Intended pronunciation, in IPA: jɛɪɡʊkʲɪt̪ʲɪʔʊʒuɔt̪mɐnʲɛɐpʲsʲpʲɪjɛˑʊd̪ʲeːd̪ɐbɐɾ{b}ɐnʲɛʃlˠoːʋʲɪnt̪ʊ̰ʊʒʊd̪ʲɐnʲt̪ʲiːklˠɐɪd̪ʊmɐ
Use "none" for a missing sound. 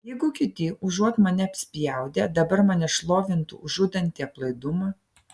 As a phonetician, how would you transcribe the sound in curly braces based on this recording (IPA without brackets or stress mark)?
m